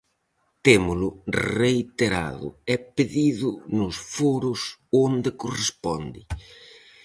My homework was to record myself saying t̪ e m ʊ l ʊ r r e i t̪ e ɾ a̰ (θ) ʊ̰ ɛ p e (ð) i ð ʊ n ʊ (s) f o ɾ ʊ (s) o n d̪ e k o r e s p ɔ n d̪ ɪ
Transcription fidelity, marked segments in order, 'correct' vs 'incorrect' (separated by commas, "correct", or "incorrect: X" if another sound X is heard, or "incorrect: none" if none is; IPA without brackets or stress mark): incorrect: ð, correct, correct, correct